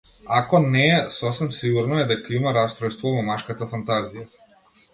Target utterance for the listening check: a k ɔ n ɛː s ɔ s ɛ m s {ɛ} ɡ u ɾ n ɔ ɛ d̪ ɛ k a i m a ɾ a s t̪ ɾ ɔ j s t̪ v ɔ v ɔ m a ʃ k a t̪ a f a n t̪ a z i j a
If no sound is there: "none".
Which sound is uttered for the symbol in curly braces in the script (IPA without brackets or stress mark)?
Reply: i